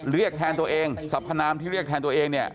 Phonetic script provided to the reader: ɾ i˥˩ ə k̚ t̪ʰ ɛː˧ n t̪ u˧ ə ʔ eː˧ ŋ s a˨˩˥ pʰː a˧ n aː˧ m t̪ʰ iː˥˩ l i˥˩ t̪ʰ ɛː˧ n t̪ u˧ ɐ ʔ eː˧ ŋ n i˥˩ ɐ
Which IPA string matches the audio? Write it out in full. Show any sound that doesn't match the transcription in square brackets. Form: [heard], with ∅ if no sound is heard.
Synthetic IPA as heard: ɾ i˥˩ ə k̚ t̪ʰ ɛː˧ n t̪ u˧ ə ʔ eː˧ ŋ s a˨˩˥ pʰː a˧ n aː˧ m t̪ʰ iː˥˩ [ɾ] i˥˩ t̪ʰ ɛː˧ n t̪ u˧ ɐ ʔ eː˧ ŋ n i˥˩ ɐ

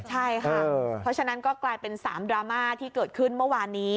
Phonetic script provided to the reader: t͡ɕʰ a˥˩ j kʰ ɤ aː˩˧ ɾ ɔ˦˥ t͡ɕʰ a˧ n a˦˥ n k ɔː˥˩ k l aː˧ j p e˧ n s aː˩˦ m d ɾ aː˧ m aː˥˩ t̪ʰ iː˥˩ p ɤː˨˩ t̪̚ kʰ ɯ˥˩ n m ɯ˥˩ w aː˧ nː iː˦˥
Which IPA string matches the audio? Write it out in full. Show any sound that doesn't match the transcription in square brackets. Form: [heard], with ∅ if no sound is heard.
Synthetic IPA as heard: t͡ɕʰ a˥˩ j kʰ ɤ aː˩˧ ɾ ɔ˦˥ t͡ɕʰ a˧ n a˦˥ n k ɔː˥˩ k l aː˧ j p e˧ n s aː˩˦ m d ɾ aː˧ m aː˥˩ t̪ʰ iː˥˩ [k] ɤː˨˩ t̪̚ kʰ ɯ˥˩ n m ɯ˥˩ w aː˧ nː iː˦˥

